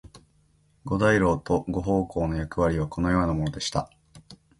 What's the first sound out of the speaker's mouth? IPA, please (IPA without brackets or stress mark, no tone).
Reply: ɡ